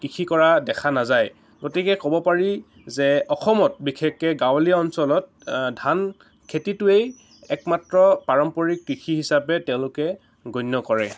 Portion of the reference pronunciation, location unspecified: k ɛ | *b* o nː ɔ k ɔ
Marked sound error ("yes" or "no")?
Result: yes